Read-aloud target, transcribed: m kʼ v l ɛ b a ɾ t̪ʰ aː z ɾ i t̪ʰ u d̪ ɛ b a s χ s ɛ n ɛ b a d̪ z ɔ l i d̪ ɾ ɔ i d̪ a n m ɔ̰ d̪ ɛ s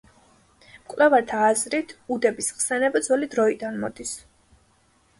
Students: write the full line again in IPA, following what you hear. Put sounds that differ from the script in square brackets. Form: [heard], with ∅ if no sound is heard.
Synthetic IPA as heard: m kʼ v l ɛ [v] a ɾ t̪ʰ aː z ɾ i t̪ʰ u d̪ ɛ b [i] s χ s ɛ n ɛ b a d̪ z ɔ l i d̪ ɾ ɔ i d̪ a n m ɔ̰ d̪ [i] s